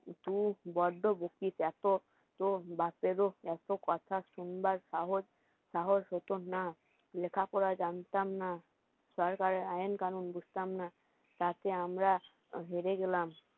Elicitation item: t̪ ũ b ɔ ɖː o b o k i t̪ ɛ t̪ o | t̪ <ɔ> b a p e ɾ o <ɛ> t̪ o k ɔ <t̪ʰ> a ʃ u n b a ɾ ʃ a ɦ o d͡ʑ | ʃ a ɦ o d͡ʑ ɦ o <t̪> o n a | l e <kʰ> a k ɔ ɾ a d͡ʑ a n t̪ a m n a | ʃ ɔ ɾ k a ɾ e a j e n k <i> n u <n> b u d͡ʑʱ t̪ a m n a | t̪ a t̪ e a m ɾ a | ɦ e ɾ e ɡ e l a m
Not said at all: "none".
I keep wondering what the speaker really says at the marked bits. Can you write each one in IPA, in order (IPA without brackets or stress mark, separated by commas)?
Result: o, ɛ, t̪ʰ, t̪, kʰ, a, n